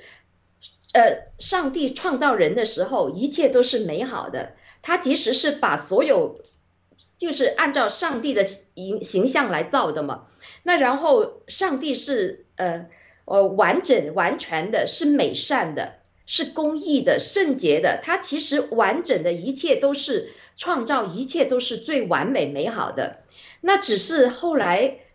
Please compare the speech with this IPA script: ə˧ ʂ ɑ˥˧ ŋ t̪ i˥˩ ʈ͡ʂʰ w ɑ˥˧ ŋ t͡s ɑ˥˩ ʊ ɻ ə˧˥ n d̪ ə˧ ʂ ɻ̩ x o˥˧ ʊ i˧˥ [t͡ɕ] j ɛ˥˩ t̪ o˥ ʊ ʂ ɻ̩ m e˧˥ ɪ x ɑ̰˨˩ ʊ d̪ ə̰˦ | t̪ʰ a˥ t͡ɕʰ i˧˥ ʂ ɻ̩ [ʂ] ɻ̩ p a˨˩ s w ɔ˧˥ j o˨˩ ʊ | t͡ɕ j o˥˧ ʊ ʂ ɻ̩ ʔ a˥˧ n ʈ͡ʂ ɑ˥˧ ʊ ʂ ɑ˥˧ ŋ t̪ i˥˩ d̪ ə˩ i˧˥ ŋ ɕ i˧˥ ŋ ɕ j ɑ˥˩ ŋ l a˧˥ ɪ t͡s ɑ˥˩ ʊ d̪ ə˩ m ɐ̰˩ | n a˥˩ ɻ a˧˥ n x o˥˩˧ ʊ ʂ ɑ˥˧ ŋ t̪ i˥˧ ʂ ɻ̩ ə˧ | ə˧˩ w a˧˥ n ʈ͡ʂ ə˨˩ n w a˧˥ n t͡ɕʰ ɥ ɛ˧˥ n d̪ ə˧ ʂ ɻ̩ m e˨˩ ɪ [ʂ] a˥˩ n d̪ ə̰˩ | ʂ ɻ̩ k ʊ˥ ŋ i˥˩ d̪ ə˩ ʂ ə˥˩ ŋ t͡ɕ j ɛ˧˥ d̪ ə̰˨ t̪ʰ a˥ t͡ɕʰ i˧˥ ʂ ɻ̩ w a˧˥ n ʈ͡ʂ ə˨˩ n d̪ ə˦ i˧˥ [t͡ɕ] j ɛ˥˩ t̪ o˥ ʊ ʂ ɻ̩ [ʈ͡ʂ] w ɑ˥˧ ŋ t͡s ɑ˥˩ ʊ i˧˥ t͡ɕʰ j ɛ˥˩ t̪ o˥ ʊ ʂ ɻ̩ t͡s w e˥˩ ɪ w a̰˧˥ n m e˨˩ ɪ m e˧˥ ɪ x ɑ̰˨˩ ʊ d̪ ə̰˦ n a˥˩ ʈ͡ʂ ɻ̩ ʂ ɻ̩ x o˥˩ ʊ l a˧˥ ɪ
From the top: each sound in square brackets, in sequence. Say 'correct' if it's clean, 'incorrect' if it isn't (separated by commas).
incorrect, correct, correct, incorrect, incorrect